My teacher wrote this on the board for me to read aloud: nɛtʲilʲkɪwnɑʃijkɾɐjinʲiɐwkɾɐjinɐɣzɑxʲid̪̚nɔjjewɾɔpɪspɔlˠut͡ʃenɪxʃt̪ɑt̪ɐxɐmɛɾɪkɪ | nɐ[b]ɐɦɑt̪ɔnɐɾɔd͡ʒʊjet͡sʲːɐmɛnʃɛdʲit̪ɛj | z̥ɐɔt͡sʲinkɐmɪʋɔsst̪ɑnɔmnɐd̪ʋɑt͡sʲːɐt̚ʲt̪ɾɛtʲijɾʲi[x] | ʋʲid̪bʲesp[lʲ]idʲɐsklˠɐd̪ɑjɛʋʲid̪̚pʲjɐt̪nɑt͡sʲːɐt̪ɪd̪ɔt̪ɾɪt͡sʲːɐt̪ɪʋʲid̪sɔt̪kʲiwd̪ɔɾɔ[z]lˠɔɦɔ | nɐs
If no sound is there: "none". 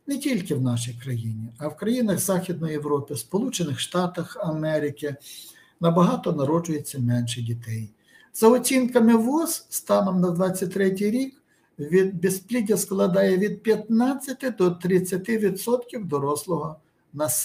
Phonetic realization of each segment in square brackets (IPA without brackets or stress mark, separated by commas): b, k, lʲ, s